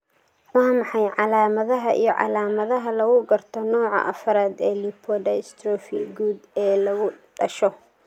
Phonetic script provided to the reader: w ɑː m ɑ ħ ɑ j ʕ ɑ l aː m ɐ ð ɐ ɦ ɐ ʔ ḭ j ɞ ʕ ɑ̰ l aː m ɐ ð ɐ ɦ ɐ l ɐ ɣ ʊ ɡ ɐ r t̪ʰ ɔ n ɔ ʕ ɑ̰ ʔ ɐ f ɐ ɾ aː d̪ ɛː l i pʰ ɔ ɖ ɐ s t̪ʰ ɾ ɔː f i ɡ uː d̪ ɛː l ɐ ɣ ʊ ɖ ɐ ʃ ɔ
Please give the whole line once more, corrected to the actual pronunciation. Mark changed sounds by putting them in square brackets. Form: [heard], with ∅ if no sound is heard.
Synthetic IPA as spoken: w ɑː m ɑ ħ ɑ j ʕ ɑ l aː m ɐ ð ɐ ɦ ɐ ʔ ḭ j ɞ ʕ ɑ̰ l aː m ɐ ð ɐ ɦ ɐ l ɐ ɣ ʊ ɡ ɐ r t̪ʰ ɔ n [ɔː] ʕ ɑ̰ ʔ ɐ f ɐ ɾ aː d̪ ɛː l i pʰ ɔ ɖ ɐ s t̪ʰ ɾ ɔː f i ɡ uː d̪ ɛː l ɐ ɣ ʊ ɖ ɐ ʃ ɔ